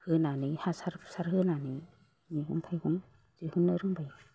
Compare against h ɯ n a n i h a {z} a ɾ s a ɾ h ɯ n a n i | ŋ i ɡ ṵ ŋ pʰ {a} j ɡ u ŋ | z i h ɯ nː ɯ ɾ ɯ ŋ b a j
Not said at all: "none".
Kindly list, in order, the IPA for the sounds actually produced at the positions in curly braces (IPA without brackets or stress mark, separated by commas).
s, a